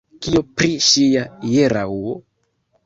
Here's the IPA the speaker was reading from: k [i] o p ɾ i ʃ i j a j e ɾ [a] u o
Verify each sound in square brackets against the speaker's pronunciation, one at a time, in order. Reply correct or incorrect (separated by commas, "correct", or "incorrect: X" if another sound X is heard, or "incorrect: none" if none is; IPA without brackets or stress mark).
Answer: correct, correct